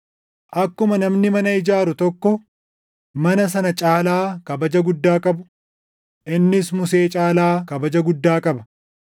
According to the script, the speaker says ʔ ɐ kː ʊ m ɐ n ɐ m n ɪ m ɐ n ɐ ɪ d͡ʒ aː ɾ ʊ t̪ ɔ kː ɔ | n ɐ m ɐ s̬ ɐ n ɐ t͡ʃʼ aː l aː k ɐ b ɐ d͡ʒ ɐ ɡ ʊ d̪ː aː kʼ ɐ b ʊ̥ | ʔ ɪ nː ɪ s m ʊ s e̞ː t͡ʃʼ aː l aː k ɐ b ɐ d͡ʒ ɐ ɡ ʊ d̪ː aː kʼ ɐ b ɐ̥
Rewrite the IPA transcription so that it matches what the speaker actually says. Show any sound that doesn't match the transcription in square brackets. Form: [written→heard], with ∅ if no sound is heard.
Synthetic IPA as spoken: ʔ ɐ kː ʊ m ɐ n ɐ m n ɪ m ɐ n ɐ ɪ d͡ʒ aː ɾ ʊ t̪ ɔ kː ɔ | [n→m] ɐ [m→n] ɐ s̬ ɐ n ɐ t͡ʃʼ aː l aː k ɐ b ɐ d͡ʒ ɐ ɡ ʊ d̪ː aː kʼ ɐ b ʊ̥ | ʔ ɪ nː ɪ s m ʊ s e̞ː t͡ʃʼ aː l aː k ɐ b ɐ d͡ʒ ɐ ɡ ʊ d̪ː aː kʼ ɐ b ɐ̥

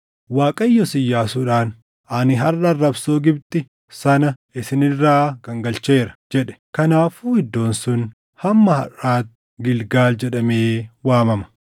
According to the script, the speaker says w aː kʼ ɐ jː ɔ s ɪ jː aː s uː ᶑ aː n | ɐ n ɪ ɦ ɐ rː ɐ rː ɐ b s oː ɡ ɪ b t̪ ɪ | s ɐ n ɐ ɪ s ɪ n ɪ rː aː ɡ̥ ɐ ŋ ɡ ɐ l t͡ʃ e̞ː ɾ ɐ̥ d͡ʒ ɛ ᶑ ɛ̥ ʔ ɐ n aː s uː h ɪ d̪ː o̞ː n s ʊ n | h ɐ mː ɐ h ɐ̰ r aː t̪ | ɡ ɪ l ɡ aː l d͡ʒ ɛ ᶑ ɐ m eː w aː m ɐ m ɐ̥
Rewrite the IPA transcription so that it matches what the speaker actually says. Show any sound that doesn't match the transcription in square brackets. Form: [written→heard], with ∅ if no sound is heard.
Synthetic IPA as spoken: w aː kʼ ɐ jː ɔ s ɪ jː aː s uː ᶑ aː n | ɐ n ɪ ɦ ɐ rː ɐ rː ɐ b s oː ɡ ɪ b t̪ ɪ | s ɐ n ɐ ɪ s ɪ n ɪ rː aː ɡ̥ ɐ ŋ ɡ ɐ l t͡ʃ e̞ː ɾ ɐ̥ d͡ʒ ɛ ᶑ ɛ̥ [ʔ→k] ɐ n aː [s→f] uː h ɪ d̪ː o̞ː n s ʊ n | h ɐ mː ɐ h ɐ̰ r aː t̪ | ɡ ɪ l ɡ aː l d͡ʒ ɛ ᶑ ɐ m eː w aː m ɐ m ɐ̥

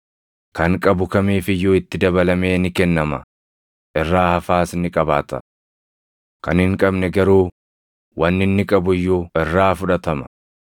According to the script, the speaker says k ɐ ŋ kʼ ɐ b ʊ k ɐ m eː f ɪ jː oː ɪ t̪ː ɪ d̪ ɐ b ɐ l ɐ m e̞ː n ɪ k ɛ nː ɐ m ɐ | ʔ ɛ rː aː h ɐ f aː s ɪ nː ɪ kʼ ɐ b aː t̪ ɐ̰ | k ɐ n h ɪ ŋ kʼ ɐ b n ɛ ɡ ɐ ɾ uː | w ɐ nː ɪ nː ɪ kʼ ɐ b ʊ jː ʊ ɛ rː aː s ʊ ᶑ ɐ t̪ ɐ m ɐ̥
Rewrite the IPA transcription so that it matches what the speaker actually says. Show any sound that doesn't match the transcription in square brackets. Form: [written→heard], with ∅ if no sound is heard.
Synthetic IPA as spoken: k ɐ ŋ kʼ ɐ b ʊ k ɐ m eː f ɪ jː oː ɪ t̪ː ɪ d̪ ɐ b ɐ l ɐ m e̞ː n ɪ k ɛ nː ɐ m ɐ | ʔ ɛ rː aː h ɐ f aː s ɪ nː ɪ kʼ ɐ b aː t̪ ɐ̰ | k ɐ n h ɪ ŋ kʼ ɐ b n ɛ ɡ ɐ ɾ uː | w ɐ nː ɪ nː ɪ kʼ ɐ b ʊ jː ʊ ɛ rː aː [s→f] ʊ ᶑ ɐ t̪ ɐ m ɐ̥

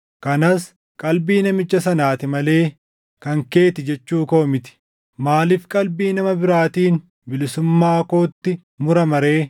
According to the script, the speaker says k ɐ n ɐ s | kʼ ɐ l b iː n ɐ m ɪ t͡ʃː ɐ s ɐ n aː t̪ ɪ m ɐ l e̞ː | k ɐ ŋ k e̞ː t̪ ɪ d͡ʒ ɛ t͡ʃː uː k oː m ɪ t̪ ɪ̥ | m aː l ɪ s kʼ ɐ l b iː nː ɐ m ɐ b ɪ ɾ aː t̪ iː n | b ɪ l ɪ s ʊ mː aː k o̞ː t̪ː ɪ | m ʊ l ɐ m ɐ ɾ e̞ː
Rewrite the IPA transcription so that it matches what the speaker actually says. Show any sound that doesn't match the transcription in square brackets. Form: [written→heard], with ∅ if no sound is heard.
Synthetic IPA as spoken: k ɐ n ɐ s | kʼ ɐ l b iː n ɐ m ɪ t͡ʃː ɐ s ɐ n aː t̪ ɪ m ɐ l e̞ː | k ɐ ŋ k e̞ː t̪ ɪ d͡ʒ ɛ t͡ʃː uː k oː m ɪ t̪ ɪ̥ | m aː l ɪ [s→f] kʼ ɐ l b iː [nː→n] ɐ m ɐ b ɪ ɾ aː t̪ iː n | b ɪ l ɪ s ʊ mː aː k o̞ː t̪ː ɪ | m ʊ [l→ɾ] ɐ m ɐ ɾ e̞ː

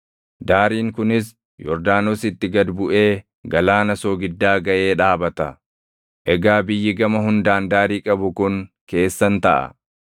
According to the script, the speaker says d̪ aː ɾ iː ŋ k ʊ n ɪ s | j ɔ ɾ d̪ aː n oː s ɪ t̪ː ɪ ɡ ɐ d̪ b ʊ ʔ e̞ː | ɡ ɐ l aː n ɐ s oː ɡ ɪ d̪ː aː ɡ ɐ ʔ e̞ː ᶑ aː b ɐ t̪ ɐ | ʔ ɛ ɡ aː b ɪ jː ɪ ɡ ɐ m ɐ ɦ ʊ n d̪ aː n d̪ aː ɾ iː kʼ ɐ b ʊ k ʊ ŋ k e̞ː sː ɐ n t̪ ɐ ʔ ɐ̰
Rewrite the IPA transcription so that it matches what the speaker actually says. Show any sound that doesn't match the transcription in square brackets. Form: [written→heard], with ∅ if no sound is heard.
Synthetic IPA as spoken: d̪ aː ɾ iː ŋ k ʊ n ɪ s | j ɔ ɾ d̪ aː n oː s ɪ t̪ː ɪ ɡ ɐ d̪ b ʊ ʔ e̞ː | ɡ ɐ l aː n ɐ s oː ɡ ɪ d̪ː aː ɡ ɐ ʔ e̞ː ᶑ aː b ɐ t̪ ɐ | ʔ ɛ ɡ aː b ɪ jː ɪ ɡ ɐ m ɐ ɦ ʊ n d̪ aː n d̪ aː ɾ iː kʼ ɐ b ʊ k ʊ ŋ k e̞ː sː ɐ n t̪ ɐ ʔ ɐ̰

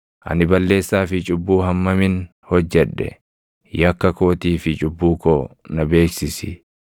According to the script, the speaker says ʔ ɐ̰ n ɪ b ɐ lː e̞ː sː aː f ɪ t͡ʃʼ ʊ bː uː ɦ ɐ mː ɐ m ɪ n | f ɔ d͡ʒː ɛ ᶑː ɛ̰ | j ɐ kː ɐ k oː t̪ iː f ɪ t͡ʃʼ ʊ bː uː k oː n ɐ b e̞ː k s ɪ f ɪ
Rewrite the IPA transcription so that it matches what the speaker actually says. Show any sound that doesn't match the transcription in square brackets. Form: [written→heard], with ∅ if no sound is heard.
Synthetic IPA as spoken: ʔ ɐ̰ n ɪ b ɐ lː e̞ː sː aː f ɪ t͡ʃʼ ʊ bː uː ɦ ɐ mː ɐ m ɪ n | [f→h] ɔ d͡ʒː ɛ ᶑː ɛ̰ | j ɐ kː ɐ k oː t̪ iː f ɪ t͡ʃʼ ʊ bː uː k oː n ɐ b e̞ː k s ɪ [f→s] ɪ

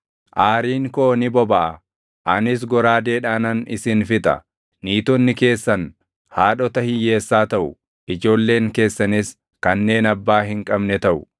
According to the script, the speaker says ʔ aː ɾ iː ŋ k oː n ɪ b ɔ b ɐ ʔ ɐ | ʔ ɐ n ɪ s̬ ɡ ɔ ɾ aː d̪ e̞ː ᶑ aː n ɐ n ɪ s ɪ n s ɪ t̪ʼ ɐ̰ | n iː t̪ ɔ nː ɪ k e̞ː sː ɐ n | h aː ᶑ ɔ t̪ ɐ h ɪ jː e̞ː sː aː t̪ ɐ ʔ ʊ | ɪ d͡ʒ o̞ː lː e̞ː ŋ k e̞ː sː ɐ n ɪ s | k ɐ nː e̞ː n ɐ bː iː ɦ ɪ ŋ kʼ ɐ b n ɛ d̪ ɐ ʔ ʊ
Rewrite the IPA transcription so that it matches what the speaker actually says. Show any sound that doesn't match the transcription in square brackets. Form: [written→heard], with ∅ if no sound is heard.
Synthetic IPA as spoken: ʔ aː ɾ iː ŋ k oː n ɪ b ɔ b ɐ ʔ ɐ | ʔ ɐ n ɪ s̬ ɡ ɔ ɾ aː d̪ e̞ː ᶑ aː n ɐ n ɪ s ɪ n [s→f] ɪ t̪ʼ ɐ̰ | n iː t̪ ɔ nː ɪ k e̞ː sː ɐ n | h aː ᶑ ɔ t̪ ɐ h ɪ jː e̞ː sː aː t̪ ɐ ʔ ʊ | ɪ d͡ʒ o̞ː lː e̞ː ŋ k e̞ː sː ɐ n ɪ s | k ɐ nː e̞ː n ɐ bː [iː→aː] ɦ ɪ ŋ kʼ ɐ b n ɛ [d̪→t̪] ɐ ʔ ʊ

